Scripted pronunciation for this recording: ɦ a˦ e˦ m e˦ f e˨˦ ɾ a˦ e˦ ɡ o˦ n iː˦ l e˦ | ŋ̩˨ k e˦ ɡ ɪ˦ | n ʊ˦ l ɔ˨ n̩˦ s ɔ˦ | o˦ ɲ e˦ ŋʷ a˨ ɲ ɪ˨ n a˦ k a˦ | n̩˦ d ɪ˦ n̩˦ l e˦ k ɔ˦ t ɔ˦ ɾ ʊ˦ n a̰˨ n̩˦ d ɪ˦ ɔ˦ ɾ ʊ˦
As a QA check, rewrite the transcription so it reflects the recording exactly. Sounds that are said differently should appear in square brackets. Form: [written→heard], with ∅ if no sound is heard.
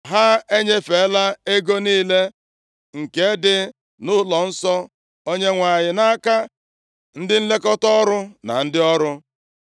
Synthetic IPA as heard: ɦ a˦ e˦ [m→ɲ] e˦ f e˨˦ [ɾ→l] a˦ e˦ ɡ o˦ n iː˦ l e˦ | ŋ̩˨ k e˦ [ɡ→d] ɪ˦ | n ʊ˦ l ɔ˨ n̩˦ s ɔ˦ | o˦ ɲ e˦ ŋʷ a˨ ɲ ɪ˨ n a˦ k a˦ | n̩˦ d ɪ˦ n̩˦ l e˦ k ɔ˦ t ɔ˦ ɾ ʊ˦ n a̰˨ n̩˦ d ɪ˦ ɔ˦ ɾ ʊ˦